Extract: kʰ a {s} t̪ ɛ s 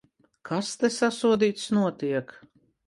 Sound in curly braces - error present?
no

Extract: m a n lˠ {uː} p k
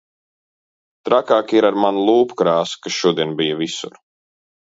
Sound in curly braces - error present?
no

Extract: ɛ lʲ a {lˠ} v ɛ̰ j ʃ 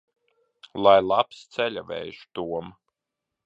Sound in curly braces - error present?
yes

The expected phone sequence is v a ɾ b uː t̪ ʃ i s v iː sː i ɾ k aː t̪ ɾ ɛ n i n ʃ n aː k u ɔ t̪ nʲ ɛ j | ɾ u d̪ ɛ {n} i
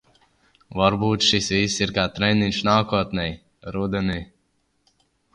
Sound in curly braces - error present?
no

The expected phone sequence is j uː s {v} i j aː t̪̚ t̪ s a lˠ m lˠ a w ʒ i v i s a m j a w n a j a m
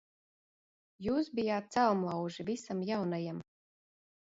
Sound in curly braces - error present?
yes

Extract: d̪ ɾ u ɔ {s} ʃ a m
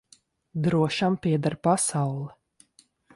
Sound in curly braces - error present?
yes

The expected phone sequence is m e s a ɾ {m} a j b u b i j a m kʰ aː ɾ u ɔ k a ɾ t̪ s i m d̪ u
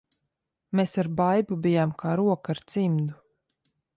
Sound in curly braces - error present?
yes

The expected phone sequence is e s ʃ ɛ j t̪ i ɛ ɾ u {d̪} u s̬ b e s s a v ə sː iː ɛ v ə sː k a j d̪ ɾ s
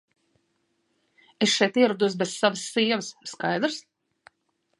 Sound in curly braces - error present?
no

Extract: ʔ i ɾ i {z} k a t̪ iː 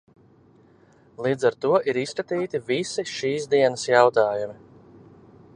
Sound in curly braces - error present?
yes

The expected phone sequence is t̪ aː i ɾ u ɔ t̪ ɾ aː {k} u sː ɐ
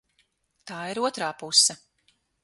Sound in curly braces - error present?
yes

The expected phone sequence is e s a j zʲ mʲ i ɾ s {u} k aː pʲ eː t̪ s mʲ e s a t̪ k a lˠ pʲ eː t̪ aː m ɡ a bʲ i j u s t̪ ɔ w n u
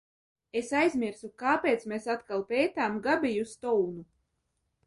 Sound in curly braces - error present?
no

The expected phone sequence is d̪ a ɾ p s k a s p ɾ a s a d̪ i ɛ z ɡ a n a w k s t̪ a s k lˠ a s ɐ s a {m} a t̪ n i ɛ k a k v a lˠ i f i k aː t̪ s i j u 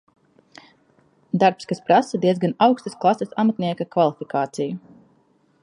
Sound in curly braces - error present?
no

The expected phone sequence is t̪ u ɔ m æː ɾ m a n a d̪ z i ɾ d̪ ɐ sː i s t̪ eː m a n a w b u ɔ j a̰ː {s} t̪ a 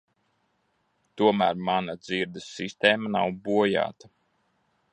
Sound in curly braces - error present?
yes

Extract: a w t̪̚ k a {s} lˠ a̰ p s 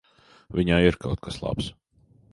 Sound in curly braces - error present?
no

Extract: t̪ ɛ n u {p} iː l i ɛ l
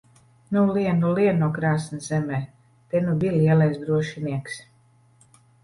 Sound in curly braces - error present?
yes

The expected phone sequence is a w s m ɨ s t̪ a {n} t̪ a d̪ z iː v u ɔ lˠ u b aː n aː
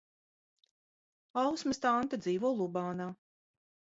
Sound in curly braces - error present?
no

